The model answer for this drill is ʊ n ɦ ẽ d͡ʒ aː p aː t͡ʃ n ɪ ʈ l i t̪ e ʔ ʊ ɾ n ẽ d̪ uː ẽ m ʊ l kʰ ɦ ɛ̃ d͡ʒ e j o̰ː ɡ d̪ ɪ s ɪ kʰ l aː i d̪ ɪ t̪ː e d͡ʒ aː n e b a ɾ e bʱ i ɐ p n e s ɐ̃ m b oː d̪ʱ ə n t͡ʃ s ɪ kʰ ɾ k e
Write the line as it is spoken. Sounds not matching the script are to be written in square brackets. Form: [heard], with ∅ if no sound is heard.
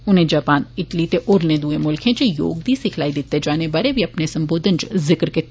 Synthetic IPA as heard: ʊ n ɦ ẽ d͡ʒ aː p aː [∅] n ɪ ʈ l i t̪ e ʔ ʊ ɾ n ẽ d̪ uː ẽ m ʊ l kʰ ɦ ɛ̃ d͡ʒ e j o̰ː ɡ d̪ [i] s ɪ kʰ l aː i d̪ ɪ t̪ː e d͡ʒ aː n e b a ɾ e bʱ i ɐ p n e s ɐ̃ m b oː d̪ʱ ə n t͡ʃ [z] ɪ [k] ɾ k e